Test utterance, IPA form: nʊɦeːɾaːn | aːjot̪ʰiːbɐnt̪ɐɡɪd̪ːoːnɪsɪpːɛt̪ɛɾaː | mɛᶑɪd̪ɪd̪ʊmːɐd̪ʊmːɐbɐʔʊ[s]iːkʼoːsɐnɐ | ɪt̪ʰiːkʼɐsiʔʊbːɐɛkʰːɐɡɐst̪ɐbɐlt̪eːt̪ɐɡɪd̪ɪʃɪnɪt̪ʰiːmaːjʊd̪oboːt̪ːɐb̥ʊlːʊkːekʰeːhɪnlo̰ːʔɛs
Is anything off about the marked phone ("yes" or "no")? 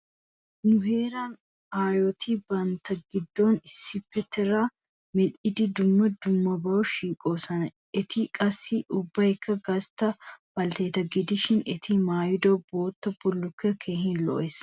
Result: yes